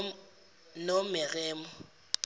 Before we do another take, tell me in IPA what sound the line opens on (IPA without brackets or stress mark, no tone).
n